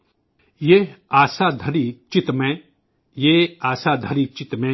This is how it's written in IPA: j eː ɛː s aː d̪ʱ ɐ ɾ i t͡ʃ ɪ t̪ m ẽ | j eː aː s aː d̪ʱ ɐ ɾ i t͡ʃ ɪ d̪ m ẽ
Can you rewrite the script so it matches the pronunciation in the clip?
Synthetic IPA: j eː aː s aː d̪ʱ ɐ ɾ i t͡ʃ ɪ t̪ m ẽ | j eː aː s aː d̪ʱ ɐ ɾ i t͡ʃ ɪ t̪ m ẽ